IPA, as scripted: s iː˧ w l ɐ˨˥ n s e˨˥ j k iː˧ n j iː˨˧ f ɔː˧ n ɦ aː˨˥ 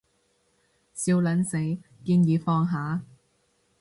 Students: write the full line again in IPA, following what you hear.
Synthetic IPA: s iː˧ w l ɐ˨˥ n s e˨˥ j k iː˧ n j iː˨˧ f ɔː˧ ŋ ɦ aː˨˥